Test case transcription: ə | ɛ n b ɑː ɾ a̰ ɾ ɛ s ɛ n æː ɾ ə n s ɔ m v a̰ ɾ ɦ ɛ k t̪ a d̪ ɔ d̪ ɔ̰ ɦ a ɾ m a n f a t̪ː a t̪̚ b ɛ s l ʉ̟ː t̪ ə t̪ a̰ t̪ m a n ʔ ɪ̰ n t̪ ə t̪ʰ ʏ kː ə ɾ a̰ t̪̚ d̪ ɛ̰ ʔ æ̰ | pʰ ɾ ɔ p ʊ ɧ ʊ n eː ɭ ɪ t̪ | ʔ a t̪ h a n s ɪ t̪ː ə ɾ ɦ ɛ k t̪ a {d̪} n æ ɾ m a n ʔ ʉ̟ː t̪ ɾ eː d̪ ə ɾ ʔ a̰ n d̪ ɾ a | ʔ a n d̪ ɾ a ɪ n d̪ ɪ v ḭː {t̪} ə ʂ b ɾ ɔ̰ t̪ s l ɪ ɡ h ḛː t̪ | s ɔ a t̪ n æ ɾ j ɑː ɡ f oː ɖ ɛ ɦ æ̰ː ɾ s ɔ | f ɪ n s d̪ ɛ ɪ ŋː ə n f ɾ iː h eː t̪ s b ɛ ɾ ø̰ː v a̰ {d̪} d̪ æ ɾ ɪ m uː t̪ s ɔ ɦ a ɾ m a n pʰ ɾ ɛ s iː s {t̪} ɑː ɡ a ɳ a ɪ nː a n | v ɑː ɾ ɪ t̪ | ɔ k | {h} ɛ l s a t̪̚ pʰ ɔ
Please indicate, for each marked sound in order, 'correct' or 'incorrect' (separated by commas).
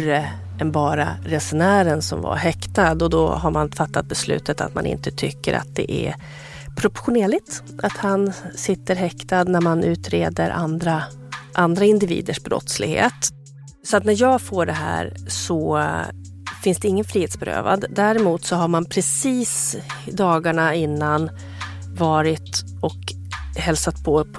correct, incorrect, correct, incorrect, correct